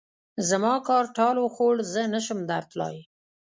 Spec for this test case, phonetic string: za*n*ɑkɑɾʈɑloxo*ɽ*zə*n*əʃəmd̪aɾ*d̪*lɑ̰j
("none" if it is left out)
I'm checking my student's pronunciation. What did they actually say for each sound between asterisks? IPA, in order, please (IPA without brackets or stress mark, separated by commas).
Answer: m, ɽ, n, t̪